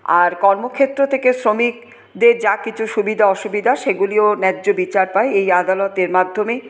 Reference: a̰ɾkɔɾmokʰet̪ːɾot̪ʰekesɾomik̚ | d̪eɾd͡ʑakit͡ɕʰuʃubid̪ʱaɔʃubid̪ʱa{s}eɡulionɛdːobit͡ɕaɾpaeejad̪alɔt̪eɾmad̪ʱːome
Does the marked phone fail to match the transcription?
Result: yes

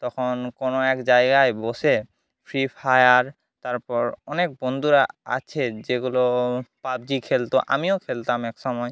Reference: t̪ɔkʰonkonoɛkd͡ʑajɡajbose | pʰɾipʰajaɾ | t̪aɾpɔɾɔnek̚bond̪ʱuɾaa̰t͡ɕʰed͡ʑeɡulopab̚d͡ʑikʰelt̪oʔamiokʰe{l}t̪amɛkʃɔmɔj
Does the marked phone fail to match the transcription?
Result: no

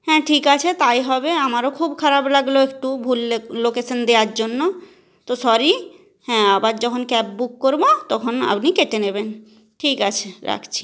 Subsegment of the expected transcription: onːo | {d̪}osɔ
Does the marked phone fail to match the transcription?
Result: yes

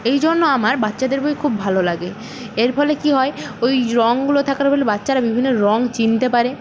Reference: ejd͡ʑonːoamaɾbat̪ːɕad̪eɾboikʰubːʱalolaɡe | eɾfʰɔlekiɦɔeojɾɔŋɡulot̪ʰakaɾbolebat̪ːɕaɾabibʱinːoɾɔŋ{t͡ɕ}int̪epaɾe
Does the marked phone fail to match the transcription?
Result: no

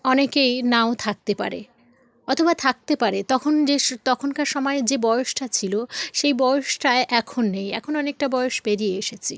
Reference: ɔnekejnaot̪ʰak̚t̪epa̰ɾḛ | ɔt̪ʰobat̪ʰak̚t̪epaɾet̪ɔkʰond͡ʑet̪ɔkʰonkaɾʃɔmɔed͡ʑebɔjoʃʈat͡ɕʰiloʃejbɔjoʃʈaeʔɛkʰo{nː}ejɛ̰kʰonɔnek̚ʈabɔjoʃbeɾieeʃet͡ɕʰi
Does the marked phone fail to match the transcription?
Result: no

